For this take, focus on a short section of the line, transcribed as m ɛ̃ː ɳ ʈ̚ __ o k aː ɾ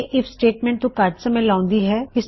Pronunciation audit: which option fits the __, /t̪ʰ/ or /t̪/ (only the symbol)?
t̪